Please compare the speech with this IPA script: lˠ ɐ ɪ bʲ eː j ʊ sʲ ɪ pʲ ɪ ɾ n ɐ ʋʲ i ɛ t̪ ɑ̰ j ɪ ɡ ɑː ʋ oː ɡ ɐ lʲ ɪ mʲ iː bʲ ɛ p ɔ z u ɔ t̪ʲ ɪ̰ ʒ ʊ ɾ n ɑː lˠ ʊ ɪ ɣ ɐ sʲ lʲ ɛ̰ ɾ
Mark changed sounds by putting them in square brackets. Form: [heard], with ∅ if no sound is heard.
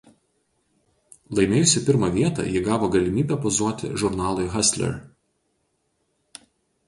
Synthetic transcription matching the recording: lˠ ɐ ɪ [mʲ] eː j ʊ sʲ ɪ pʲ ɪ ɾ [m] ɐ ʋʲ i ɛ t̪ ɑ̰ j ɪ ɡ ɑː ʋ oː ɡ ɐ lʲ ɪ mʲ iː bʲ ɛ p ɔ z u ɔ t̪ʲ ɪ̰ ʒ ʊ ɾ n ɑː lˠ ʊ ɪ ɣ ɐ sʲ lʲ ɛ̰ ɾ